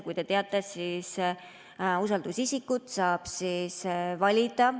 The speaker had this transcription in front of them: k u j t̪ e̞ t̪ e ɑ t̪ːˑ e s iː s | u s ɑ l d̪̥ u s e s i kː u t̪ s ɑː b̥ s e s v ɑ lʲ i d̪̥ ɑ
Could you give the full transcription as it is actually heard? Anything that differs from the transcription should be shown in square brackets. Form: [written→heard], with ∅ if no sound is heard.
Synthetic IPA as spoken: k u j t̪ e̞ t̪ e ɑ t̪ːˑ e s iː s | u s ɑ l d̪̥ u s [e→i] s i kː u t̪ s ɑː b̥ s [e→i] s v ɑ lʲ i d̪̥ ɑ